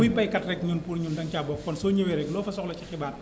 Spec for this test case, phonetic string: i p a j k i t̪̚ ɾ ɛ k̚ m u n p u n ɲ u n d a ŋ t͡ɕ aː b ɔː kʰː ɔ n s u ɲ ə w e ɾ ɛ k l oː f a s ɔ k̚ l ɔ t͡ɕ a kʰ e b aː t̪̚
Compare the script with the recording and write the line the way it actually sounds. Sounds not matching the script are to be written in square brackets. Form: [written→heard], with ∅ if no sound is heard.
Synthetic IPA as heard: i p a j k [i→a] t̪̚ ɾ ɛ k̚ [m→ɲ] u n p u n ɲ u n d a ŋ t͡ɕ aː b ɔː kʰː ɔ n s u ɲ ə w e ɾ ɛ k l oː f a s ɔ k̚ l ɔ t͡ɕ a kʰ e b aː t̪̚